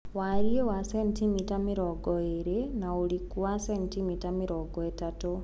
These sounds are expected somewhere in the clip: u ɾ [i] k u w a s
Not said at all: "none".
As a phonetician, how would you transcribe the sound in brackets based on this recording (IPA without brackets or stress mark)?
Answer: i